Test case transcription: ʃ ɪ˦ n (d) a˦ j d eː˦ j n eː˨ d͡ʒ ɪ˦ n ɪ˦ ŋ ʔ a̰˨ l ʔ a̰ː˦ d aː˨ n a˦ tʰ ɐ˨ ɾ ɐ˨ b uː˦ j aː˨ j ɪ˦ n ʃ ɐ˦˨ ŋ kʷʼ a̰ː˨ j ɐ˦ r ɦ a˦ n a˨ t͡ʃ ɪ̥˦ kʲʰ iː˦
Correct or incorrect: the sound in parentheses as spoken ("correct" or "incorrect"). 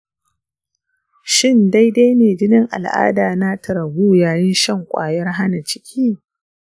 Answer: correct